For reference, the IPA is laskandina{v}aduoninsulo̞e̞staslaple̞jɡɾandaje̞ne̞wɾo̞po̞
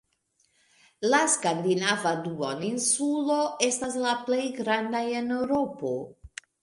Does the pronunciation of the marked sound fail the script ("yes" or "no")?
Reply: no